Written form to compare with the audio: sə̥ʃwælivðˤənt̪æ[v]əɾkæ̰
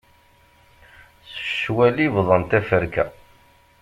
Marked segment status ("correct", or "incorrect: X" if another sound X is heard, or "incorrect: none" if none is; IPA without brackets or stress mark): incorrect: f